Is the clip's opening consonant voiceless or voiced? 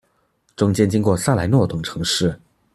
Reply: voiceless